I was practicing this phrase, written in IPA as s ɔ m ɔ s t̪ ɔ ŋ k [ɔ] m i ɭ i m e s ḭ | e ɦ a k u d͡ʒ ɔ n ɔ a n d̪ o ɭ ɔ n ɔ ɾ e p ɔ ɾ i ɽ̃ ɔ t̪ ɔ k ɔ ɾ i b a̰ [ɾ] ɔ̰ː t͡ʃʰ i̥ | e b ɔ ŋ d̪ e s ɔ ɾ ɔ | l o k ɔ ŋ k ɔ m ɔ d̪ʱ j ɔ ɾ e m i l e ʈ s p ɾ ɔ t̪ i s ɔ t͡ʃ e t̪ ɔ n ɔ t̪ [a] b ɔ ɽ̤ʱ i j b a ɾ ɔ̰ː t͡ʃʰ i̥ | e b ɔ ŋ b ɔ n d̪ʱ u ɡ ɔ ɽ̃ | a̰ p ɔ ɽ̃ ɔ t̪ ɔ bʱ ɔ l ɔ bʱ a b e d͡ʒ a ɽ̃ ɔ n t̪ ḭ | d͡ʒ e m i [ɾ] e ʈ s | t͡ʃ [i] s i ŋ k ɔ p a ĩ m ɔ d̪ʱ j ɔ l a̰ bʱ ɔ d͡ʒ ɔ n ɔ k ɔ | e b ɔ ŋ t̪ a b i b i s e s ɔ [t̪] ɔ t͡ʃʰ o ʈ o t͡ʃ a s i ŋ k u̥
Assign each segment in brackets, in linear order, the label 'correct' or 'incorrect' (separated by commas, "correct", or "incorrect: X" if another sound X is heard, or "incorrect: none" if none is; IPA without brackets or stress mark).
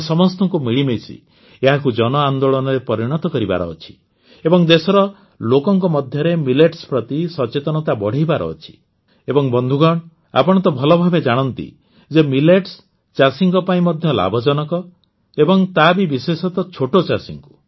incorrect: u, correct, correct, incorrect: l, incorrect: a, correct